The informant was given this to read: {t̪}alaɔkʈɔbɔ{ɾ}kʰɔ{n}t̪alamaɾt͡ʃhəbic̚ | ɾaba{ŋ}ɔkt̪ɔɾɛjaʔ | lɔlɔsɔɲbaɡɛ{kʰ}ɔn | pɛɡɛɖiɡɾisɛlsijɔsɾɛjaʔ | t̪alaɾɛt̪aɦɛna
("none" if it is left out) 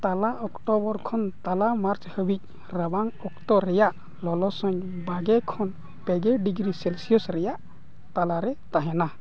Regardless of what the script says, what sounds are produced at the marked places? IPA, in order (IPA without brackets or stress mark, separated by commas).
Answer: t̪, ɾ, n, ŋ, kʰ